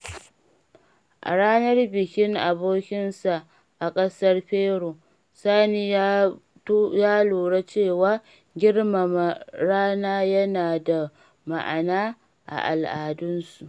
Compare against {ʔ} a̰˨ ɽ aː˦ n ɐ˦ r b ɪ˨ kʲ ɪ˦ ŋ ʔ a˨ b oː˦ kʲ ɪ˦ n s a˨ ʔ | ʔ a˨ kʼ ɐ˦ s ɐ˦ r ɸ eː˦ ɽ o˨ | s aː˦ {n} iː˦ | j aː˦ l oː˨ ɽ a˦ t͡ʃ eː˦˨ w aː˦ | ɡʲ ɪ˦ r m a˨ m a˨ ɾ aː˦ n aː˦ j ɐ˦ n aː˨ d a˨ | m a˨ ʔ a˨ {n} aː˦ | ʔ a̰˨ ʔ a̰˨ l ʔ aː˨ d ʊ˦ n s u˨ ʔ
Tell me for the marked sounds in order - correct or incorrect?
correct, correct, correct

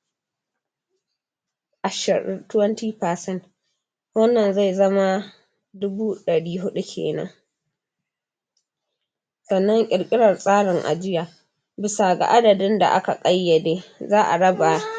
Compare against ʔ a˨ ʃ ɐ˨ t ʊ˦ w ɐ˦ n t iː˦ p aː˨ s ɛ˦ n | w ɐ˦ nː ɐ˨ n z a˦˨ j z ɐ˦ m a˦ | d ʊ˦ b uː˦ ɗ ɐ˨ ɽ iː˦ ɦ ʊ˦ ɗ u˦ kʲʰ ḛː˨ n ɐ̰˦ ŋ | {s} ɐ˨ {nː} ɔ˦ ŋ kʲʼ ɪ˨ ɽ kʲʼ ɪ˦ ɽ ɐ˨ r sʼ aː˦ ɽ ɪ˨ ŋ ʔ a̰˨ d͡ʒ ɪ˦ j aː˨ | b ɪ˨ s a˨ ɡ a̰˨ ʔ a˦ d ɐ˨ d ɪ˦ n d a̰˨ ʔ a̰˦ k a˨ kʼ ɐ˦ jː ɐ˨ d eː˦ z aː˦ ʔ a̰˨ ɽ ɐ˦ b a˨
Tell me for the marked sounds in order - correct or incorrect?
correct, correct

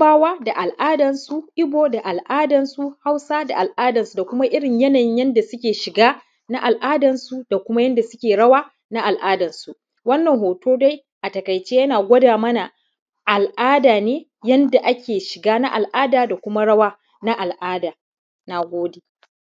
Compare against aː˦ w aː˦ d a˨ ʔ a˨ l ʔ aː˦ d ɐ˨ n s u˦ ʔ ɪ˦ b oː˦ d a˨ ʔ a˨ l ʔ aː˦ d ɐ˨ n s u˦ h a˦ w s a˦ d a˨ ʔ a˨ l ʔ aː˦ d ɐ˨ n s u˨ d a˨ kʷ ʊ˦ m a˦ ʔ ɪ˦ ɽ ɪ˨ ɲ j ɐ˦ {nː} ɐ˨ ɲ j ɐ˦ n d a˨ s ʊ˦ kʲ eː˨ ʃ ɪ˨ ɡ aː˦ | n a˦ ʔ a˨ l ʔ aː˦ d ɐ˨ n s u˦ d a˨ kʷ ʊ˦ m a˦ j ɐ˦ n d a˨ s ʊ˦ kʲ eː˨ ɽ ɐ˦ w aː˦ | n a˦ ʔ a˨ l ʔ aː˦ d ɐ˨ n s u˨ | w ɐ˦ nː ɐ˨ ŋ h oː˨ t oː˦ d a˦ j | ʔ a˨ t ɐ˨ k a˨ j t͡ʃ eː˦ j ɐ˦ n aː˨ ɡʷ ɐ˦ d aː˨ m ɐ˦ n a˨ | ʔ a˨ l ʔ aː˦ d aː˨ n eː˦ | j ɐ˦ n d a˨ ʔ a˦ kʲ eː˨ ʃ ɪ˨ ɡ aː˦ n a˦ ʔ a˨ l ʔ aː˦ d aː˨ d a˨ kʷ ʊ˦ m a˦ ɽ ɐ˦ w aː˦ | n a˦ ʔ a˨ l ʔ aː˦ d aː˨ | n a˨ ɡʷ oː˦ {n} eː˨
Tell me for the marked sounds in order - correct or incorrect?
incorrect: n, incorrect: d

